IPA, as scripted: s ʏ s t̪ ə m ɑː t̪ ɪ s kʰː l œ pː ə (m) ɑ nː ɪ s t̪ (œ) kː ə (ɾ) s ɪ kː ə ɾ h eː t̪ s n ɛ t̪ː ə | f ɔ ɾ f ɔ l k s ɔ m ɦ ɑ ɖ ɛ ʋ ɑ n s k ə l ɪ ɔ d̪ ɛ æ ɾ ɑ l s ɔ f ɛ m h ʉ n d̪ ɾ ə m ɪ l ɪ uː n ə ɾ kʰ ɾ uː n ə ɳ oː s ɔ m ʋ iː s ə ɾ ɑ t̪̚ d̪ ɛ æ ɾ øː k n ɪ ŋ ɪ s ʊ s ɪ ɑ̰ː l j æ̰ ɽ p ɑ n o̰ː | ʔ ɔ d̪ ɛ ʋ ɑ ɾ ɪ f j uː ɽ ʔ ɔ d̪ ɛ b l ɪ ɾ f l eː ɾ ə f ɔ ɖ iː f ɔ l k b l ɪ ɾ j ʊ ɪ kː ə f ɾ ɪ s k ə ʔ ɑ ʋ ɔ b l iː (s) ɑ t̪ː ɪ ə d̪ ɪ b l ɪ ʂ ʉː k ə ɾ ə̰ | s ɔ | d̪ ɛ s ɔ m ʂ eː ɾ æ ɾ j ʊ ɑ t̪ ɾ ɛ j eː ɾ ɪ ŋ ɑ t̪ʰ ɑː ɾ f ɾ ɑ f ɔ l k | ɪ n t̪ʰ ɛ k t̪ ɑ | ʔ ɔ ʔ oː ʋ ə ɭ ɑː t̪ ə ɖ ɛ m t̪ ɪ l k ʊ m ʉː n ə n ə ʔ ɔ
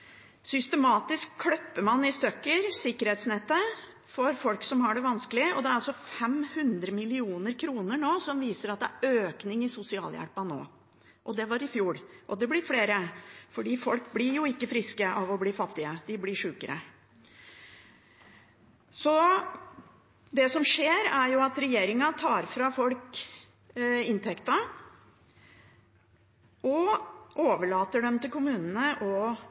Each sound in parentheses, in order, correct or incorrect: correct, correct, correct, incorrect

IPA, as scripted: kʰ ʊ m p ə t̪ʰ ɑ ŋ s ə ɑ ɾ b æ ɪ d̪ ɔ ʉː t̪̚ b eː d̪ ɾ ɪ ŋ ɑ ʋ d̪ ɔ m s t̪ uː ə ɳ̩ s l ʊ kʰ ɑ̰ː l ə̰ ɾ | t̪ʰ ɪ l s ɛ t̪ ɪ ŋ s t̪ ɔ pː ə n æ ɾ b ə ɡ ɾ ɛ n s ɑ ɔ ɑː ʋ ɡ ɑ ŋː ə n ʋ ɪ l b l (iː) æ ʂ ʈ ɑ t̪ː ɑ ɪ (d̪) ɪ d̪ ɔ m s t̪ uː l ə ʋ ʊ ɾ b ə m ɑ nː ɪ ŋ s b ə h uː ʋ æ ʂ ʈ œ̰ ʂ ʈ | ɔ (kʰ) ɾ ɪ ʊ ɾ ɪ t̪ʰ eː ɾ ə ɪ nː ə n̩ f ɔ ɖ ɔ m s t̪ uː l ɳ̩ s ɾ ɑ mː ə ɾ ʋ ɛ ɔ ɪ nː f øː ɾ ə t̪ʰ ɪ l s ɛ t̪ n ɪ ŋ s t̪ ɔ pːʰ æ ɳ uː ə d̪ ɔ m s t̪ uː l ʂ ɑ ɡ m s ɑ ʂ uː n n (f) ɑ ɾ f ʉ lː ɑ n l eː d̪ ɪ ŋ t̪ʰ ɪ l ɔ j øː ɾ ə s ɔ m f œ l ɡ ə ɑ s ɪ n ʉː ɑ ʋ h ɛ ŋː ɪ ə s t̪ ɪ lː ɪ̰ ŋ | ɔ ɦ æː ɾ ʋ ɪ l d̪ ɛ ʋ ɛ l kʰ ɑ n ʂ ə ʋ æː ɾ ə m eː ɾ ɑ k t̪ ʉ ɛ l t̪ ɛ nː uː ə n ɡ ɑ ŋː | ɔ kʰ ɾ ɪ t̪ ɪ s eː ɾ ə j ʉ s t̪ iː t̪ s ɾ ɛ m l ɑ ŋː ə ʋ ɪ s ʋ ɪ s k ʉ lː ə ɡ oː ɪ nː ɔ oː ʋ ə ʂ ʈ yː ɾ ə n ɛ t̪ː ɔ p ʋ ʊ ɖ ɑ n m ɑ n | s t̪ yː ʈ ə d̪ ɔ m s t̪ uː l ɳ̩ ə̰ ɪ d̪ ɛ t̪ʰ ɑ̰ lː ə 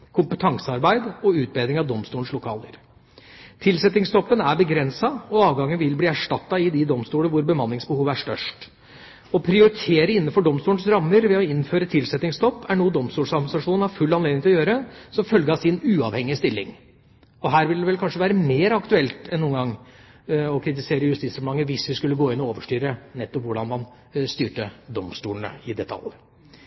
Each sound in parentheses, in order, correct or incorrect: correct, correct, incorrect, incorrect

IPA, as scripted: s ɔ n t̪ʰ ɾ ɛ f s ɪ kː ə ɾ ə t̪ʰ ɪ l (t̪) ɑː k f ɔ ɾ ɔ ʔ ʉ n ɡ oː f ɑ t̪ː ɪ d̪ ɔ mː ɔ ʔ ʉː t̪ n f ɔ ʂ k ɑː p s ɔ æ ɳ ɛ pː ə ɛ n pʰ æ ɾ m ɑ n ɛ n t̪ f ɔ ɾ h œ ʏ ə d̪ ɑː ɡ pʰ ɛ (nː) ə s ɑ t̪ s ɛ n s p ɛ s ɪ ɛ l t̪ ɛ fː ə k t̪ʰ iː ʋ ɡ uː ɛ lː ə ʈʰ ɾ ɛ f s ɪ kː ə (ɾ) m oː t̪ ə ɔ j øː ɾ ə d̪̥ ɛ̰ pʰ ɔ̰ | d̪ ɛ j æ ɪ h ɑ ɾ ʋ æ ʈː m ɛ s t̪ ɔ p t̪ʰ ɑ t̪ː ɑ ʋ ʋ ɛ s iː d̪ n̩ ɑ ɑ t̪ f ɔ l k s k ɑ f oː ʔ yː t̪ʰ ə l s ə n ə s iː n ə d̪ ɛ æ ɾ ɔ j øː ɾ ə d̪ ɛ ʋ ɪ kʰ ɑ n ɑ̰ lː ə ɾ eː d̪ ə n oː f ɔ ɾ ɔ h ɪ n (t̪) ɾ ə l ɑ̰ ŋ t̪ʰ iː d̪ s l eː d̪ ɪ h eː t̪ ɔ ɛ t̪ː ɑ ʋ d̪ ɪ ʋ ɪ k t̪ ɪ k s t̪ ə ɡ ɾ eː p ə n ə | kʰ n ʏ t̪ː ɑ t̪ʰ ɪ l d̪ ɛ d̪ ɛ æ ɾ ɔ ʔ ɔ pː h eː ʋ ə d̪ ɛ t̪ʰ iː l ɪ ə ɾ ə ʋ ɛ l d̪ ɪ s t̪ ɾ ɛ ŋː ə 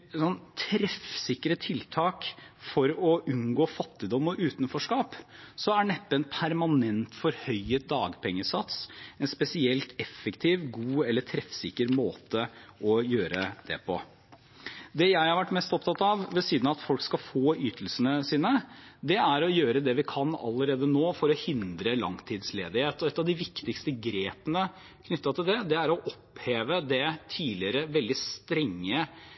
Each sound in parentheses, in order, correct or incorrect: incorrect, incorrect, correct, incorrect

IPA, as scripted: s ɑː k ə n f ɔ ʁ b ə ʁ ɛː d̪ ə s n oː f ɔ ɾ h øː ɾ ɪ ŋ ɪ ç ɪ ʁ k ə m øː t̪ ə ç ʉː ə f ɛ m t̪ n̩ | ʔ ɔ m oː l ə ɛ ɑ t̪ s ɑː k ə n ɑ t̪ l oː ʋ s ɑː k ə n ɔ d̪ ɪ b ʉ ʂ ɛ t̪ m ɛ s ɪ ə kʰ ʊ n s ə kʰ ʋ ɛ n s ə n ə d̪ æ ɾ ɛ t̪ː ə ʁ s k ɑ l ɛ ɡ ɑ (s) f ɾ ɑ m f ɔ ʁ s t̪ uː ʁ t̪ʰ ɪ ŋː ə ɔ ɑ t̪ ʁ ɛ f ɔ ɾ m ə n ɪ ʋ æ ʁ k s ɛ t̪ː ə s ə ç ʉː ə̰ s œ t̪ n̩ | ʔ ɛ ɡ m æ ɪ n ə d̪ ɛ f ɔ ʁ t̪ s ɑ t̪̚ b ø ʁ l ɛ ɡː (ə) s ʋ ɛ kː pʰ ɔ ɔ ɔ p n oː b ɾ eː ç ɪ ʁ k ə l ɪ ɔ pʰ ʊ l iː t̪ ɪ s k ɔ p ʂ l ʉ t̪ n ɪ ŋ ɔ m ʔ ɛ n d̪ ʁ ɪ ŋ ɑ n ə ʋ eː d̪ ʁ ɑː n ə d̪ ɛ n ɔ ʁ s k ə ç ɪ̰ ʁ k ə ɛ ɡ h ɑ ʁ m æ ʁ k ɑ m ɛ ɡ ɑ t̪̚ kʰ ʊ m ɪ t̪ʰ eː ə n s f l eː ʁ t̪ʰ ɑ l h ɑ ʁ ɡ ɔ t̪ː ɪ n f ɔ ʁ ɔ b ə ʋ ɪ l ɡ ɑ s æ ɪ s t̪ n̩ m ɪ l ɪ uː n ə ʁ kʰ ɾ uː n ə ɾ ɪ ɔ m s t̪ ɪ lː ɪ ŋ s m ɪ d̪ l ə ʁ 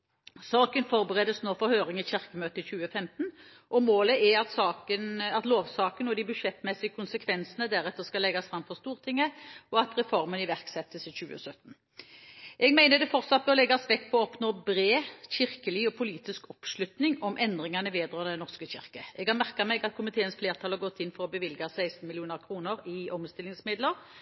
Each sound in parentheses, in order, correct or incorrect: correct, incorrect

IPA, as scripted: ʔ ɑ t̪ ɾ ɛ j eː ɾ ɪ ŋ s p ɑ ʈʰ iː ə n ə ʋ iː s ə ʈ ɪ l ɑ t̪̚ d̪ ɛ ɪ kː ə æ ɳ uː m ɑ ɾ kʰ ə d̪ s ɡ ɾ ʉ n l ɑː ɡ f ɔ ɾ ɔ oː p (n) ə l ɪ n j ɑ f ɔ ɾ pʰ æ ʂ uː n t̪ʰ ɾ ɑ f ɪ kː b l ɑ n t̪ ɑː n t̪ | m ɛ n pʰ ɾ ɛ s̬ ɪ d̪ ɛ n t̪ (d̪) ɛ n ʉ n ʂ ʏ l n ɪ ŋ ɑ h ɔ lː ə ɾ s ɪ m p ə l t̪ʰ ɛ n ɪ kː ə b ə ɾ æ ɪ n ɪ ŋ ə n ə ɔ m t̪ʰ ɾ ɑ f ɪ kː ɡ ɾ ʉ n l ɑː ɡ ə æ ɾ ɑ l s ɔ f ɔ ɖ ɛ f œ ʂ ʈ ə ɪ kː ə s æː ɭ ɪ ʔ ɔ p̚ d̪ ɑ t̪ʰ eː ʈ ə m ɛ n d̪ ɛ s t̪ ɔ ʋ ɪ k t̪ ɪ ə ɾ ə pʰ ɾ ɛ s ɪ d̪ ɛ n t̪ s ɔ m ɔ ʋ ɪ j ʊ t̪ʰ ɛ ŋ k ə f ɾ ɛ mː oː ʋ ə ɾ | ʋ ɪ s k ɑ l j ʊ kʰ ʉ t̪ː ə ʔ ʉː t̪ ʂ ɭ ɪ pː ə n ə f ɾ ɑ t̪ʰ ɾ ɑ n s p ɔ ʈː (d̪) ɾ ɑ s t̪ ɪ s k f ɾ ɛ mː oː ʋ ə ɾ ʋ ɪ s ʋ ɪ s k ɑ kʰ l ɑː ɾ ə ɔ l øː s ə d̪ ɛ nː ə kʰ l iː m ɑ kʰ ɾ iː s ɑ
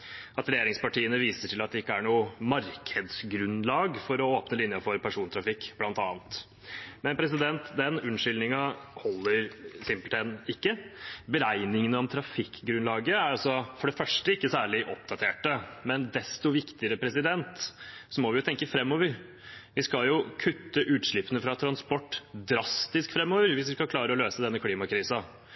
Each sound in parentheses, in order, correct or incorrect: correct, correct, correct

